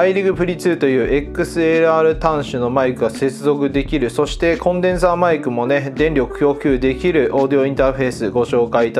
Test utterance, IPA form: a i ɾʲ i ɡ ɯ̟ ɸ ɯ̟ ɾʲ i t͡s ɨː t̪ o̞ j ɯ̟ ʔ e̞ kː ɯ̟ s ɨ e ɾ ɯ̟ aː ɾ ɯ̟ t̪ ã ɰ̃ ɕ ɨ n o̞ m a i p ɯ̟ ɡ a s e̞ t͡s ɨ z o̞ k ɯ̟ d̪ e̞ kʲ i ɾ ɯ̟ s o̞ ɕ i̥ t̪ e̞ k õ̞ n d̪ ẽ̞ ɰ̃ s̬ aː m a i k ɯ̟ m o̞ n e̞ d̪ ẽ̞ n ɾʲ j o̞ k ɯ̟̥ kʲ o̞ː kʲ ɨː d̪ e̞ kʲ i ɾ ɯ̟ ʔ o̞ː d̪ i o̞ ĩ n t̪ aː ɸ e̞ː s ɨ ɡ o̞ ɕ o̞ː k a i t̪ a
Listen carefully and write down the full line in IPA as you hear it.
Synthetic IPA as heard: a i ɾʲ i ɡ ɯ̟ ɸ ɯ̟ ɾʲ i t͡s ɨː t̪ o̞ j ɯ̟ː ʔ e̞ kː ɯ̟ s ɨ e ɾ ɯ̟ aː ɾ ɯ̟ t̪ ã ɰ̃ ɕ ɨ n o̞ m a i k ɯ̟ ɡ a s e̞ t͡s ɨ z o̞ k ɯ̟ d̪ e̞ kʲ i ɾ ɯ̟ s o̞ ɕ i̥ t̪ e̞ k õ̞ n d̪ ẽ̞ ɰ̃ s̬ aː m a i k ɯ̟ m o̞ n e̞ d̪ ẽ̞ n ɾʲ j o̞ k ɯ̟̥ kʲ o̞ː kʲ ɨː d̪ e̞ kʲ i ɾ ɯ̟ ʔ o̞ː d̪ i o̞ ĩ n t̪ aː ɸ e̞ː s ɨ ɡ o̞ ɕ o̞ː k a i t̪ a